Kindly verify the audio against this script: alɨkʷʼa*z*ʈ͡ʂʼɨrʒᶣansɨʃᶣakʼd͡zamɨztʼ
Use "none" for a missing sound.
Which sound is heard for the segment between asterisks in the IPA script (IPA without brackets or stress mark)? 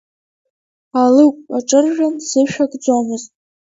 none